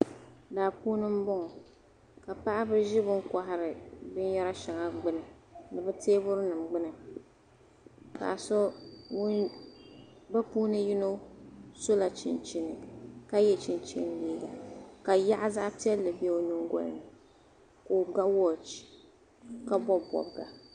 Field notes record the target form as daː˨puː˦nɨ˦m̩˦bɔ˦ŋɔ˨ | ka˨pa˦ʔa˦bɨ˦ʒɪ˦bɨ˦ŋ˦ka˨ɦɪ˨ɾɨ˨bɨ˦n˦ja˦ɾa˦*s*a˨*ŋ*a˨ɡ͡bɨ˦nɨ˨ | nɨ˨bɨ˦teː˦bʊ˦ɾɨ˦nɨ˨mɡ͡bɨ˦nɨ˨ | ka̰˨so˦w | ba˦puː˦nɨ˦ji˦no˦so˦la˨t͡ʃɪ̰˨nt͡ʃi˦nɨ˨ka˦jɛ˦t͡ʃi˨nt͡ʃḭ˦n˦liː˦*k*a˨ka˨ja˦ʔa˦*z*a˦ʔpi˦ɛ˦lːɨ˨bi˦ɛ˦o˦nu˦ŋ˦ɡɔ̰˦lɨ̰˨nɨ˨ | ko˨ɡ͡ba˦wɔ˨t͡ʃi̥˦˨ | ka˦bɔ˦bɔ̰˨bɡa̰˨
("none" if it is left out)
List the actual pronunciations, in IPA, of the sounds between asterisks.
ʃ, ŋ, ɡ, z

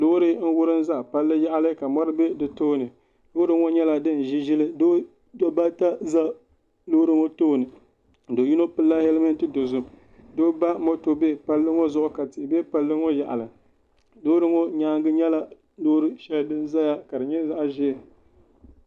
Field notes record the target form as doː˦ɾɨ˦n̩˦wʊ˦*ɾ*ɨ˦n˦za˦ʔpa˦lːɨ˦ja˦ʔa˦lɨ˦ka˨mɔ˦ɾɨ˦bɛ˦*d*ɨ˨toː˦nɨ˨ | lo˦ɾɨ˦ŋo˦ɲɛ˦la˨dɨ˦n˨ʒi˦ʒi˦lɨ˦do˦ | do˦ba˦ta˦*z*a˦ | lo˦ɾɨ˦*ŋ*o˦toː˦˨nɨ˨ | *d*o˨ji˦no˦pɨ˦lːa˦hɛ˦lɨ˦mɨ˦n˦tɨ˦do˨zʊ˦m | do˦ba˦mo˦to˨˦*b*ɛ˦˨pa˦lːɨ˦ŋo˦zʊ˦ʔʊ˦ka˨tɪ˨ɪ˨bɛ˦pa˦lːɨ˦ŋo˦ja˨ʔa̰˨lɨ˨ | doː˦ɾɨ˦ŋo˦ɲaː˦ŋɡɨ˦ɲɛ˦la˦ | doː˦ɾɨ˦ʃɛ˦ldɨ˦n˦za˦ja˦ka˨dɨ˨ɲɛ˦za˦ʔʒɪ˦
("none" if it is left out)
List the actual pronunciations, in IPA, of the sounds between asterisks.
ɾ, d, z, ŋ, d, b

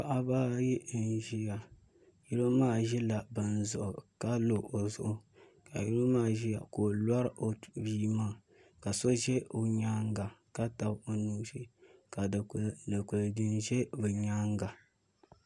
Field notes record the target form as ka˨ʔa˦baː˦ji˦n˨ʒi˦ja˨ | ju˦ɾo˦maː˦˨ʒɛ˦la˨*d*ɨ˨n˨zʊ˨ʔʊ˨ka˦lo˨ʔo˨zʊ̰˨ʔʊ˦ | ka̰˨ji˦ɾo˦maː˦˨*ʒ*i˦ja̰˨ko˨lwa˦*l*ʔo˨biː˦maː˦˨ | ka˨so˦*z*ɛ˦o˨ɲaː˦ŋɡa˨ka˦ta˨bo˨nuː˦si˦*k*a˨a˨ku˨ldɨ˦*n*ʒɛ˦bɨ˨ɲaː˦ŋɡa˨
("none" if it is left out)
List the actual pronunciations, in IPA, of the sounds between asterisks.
b, ʒ, ɾ, ʒ, k, n

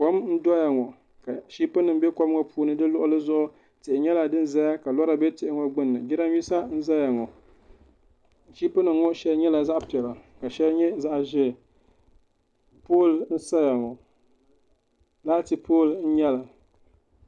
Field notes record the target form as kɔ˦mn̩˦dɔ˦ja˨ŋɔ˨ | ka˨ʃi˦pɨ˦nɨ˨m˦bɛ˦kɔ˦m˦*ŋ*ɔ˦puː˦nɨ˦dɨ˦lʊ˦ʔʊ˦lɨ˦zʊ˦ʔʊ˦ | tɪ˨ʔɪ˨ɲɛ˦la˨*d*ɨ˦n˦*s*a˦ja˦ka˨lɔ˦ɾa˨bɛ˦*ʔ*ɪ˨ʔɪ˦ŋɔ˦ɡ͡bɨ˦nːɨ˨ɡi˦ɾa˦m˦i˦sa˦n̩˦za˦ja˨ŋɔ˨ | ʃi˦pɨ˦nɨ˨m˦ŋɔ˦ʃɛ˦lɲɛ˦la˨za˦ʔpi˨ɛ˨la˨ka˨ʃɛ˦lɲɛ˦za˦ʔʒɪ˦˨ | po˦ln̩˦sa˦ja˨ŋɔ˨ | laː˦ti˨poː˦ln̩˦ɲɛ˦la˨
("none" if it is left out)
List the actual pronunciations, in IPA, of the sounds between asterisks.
ŋ, d, z, t

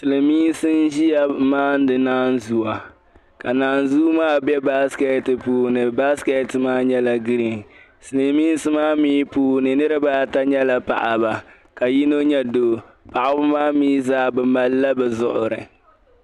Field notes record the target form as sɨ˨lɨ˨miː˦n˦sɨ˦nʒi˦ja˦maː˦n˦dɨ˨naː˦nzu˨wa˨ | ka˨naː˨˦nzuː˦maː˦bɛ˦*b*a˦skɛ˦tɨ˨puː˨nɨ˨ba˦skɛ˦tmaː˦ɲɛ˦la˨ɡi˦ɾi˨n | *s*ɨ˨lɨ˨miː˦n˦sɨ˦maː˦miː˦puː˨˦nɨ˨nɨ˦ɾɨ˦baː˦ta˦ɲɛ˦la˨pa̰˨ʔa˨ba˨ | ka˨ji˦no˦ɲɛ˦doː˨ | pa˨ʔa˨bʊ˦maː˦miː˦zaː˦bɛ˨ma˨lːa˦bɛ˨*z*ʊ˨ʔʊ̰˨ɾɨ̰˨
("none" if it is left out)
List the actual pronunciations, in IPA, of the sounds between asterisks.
b, s, z

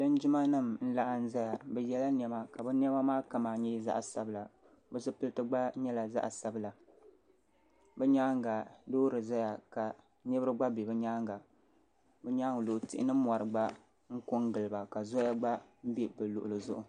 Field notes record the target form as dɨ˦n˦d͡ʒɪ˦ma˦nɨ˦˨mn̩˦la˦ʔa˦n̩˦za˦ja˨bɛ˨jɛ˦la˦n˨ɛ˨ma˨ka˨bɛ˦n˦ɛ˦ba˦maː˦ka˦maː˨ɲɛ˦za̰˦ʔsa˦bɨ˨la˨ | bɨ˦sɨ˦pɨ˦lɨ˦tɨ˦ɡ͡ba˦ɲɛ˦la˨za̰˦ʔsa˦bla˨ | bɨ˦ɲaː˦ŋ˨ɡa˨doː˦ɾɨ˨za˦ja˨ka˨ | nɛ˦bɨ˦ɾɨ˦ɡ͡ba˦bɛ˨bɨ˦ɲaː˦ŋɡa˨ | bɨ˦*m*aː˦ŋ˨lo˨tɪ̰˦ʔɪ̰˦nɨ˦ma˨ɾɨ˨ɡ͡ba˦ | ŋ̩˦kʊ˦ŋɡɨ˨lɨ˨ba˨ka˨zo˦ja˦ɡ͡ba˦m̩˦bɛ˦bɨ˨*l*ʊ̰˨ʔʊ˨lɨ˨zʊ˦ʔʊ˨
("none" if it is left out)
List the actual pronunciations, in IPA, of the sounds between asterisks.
ɲ, l

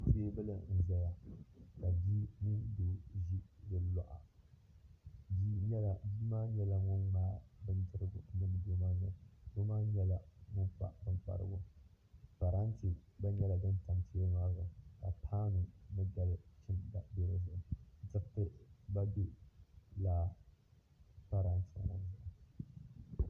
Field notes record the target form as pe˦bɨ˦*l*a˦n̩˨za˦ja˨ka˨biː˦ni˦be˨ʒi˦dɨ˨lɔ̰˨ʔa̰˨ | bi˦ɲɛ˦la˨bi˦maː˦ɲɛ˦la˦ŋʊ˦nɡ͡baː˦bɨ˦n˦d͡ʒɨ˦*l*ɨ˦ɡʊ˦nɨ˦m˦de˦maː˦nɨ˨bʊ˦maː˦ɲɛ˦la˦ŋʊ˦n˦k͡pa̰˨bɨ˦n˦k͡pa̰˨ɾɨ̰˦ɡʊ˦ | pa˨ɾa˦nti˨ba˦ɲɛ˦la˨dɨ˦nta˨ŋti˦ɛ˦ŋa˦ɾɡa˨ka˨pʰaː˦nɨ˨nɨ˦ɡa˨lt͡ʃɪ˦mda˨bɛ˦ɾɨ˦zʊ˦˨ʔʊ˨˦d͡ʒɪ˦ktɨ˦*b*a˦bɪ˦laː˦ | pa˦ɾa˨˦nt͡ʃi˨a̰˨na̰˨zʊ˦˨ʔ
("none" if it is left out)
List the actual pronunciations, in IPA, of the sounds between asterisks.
l, ɾ, b

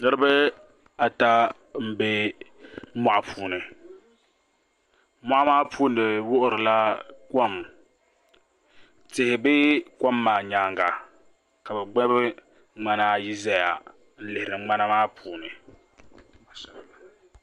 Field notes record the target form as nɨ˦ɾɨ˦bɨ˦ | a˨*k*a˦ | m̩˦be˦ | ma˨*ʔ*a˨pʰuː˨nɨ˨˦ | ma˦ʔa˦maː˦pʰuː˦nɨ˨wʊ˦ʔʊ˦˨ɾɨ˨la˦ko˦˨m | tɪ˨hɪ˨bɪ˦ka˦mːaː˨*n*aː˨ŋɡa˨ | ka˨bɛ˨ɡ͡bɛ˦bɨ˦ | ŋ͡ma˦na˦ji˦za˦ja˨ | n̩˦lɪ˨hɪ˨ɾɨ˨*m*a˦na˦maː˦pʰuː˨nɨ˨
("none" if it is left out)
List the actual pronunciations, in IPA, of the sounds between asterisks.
t, ʔ, ɲ, ŋ͡m

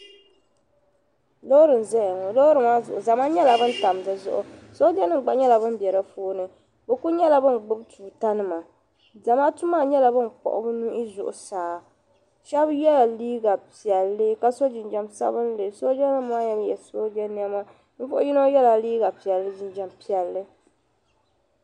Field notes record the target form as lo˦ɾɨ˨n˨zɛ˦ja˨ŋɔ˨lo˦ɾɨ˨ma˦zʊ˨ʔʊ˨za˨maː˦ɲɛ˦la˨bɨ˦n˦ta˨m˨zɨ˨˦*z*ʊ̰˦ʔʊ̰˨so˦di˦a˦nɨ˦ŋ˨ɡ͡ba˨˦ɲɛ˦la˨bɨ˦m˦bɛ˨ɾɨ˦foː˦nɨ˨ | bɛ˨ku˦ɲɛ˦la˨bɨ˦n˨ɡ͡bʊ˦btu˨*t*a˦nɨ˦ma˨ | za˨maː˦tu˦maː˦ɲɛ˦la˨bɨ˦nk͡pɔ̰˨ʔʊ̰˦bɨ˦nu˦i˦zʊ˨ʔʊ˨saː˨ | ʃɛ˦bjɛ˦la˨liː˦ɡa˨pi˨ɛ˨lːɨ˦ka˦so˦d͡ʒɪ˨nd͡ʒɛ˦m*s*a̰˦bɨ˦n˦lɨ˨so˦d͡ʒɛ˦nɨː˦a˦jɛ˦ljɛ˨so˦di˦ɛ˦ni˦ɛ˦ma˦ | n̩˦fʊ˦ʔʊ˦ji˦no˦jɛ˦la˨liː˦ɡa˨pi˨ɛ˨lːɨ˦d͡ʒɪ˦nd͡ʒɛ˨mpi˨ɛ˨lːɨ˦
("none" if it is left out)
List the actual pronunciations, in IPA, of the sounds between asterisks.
z, t, s

